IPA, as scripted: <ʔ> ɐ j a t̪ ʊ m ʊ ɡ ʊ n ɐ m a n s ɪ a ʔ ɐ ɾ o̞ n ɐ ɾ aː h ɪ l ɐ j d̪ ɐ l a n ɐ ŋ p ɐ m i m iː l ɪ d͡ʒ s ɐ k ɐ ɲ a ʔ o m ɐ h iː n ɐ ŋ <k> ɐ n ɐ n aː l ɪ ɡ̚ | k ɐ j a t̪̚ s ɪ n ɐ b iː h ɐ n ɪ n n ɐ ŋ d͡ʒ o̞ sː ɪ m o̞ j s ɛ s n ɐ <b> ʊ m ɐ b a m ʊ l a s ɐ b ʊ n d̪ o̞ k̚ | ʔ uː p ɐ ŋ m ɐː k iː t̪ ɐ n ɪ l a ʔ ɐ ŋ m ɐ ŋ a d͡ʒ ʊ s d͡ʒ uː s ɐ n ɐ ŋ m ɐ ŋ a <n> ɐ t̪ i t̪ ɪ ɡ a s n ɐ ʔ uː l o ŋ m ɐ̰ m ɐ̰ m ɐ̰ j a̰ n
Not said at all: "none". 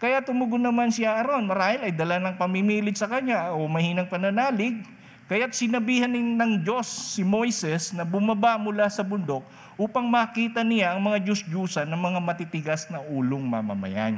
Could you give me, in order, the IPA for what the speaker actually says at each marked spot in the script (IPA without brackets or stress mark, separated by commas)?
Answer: k, p, b, m